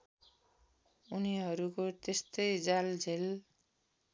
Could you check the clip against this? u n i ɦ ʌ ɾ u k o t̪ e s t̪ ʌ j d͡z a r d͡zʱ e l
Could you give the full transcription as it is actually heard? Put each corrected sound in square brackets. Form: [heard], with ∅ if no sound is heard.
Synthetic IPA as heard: u n i ɦ ʌ ɾ u k o t̪ e s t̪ ʌ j d͡z a [l] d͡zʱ e l

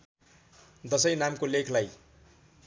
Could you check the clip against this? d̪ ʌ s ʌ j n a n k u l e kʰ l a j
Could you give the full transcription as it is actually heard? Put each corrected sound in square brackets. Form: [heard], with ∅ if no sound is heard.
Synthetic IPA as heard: d̪ ʌ s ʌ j n a [m] k [o] l e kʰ l a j

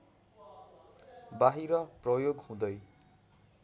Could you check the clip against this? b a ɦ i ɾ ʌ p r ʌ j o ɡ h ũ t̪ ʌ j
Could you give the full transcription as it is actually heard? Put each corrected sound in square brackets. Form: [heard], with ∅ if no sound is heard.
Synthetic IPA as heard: b a ɦ i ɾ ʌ p r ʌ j o ɡ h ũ [d̪] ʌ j

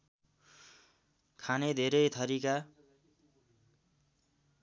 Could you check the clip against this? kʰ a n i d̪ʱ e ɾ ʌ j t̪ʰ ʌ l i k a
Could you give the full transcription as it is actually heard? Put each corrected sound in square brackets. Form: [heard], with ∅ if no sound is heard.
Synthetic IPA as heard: kʰ a n [e] d̪ʱ e ɾ ʌ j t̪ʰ ʌ [ɾ] i k a

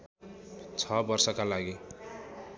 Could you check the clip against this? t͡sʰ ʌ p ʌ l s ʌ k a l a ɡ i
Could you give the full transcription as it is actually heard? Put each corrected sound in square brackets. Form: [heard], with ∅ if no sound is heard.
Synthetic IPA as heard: t͡sʰ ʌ [b] ʌ [r] s ʌ k a l a ɡ i

